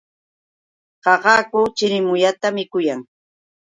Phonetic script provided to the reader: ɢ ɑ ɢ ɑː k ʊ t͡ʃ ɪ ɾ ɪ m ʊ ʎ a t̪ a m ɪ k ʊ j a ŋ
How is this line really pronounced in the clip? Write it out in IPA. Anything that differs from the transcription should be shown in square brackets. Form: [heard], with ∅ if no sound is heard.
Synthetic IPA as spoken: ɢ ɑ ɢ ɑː k ʊ t͡ʃ ɪ ɾ ɪ m ʊ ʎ a t̪ a m ɪ k ʊ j a ŋ